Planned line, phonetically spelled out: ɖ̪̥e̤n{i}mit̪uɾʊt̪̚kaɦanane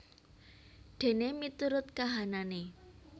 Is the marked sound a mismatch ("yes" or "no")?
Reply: yes